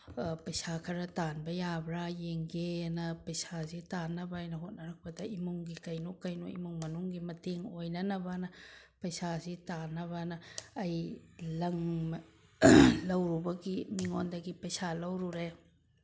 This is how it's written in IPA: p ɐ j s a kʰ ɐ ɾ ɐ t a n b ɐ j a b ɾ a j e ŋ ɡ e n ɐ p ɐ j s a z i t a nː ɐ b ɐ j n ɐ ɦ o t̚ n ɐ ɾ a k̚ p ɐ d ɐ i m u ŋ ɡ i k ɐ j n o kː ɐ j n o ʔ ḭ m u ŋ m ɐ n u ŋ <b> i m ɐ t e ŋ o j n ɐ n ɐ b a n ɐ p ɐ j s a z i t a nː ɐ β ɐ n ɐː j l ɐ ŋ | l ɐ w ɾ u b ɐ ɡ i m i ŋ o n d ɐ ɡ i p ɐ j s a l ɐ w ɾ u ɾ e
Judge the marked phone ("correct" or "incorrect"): incorrect